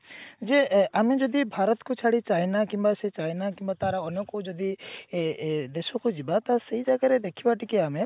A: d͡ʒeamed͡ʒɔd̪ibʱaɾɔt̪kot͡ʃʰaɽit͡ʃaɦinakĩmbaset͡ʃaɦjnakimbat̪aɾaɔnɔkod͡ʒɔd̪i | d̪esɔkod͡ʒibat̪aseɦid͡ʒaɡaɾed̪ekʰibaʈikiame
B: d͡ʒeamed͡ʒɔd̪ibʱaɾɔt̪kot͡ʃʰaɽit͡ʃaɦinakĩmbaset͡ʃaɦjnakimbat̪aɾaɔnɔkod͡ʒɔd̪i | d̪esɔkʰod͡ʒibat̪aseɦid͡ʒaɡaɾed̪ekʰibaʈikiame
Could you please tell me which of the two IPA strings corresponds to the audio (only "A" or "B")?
A